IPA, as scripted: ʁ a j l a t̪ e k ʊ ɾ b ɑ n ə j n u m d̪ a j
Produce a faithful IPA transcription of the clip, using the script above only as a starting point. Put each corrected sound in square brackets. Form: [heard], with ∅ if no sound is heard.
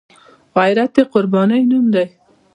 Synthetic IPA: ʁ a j [ɾ] a t̪ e [q] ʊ ɾ b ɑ n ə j n u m d̪ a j